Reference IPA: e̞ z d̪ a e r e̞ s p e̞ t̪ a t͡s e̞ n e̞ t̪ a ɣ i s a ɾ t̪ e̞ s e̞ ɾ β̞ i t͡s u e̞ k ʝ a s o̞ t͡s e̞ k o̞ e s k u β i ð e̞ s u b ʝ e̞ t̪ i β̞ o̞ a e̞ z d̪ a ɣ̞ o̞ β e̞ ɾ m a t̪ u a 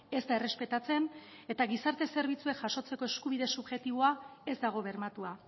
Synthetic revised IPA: e̞ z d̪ a e r e̞ s p e̞ t̪ a t͡s e̞ n e̞ t̪ a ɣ i s a ɾ t̪ e̞ s e̞ ɾ β̞ i t͡s u e̞ k ʝ a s o̞ t͡s e̞ k o̞ e s k u β i ð e̞ s u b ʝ e̞ t̪ i β̞ o̞ a e̞ z d̪ a ɣ̞ o̞ β e̞ ɾ m a t̪ u a

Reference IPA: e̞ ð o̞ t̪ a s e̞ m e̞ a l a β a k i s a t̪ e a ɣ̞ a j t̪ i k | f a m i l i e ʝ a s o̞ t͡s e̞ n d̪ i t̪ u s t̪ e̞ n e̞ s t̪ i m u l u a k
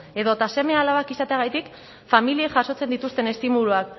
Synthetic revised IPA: e̞ ð o̞ t̪ a s e̞ m e̞ a l a β a k i s a t̪ e a ɣ̞ a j t̪ i k | f a m i l i e ʝ a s o̞ t͡s e̞ n d̪ i t̪ u s t̪ e̞ n e̞ s t̪ i m u l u a k

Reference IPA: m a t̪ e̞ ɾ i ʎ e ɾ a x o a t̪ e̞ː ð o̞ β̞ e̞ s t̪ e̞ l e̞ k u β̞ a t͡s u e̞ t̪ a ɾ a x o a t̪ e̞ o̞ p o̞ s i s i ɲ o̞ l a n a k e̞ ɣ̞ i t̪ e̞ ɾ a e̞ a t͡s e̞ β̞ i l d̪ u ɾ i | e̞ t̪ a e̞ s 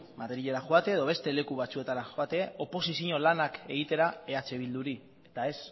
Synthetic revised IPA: m a t̪ e̞ ɾ i ʎ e ɾ a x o a t̪ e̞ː ð o̞ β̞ e̞ s t̪ e̞ l e̞ k u β̞ a t͡s u e̞ t̪ a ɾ a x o a t̪ e̞ o̞ p o̞ s i s i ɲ o̞ l a n a k e̞ ɣ̞ i t̪ e̞ ɾ a e̞ a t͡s e̞ β̞ i l d̪ u ɾ i | e̞ t̪ a e̞ s

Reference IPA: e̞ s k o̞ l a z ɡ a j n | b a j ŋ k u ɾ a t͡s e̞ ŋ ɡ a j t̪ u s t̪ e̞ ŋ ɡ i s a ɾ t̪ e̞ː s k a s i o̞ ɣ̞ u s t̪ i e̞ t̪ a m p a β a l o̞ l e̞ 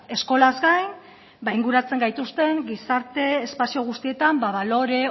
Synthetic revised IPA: e̞ s k o̞ l a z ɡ a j n | b a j ŋ ɡ u ɾ a t͡s e̞ ŋ ɡ a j t̪ u s t̪ e̞ ŋ ɡ i s a ɾ t̪ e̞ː s p a s i o̞ ɣ̞ u s t̪ i e̞ t̪ a m b a β a l o̞ ɾ e̞

